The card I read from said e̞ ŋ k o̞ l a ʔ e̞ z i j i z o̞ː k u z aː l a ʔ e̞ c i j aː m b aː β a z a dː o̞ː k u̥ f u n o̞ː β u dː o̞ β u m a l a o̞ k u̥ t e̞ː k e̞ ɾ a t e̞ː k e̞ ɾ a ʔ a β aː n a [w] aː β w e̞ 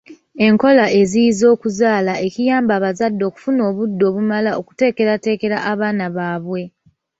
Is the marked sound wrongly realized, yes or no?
yes